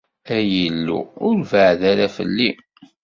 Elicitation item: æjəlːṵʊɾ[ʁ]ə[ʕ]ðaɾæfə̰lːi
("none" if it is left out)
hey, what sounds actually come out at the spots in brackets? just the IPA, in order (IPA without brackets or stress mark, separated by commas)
v, ʕ